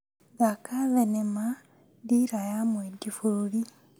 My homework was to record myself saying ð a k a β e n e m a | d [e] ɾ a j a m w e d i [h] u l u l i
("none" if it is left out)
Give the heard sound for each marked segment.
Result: i, f

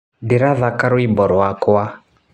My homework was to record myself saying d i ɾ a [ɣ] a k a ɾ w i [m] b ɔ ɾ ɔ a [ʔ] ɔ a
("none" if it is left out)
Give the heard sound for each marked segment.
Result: ð, m, k

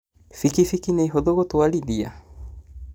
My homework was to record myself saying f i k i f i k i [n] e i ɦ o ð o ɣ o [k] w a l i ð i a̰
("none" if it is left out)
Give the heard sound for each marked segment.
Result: n, t

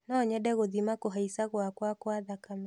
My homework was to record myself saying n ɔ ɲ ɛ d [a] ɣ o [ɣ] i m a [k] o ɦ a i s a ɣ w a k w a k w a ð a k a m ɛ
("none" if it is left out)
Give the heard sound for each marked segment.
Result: ɛ, ð, k

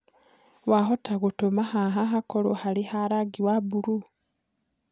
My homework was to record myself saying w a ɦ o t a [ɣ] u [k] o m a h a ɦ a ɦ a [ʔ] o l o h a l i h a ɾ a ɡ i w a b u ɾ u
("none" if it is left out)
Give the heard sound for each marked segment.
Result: ɣ, t, k

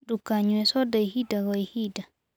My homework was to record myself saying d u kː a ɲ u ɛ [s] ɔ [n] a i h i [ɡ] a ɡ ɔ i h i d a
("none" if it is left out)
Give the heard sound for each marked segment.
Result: s, d, d

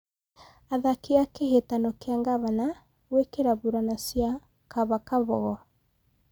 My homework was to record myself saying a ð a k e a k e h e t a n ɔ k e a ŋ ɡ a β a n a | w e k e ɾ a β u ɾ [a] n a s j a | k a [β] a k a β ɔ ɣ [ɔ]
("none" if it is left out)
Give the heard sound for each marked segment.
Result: a, β, ɔ

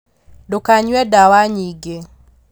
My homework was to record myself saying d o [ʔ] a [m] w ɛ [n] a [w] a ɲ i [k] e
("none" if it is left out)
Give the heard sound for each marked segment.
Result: k, ɲ, d, w, ɡ

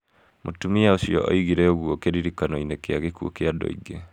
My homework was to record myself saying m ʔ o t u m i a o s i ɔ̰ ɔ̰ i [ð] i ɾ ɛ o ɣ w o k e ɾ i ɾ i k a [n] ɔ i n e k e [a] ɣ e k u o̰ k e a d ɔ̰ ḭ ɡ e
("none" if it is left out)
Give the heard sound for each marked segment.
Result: ɣ, n, a

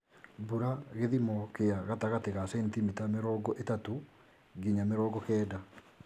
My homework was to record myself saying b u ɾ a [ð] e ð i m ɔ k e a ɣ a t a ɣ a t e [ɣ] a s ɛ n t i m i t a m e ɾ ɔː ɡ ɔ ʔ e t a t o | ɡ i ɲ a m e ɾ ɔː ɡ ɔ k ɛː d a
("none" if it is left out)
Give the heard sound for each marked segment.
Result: ɣ, ɣ

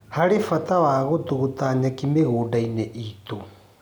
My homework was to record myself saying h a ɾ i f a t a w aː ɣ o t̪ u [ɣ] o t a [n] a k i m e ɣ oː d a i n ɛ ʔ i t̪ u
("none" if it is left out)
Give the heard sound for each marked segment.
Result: ɣ, ɲ

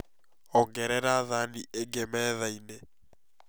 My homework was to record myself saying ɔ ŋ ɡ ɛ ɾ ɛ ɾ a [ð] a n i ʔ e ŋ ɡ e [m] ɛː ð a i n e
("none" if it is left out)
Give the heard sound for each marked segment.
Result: ð, m

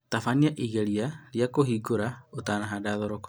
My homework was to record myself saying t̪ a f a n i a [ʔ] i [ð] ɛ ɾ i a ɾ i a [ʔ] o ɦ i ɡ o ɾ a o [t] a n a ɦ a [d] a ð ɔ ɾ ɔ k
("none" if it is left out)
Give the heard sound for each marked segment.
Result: ʔ, ɣ, k, t, d

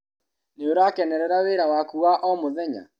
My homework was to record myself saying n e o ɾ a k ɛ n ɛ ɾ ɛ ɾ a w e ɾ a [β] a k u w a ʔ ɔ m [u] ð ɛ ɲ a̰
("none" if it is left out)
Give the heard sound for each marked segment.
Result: w, o

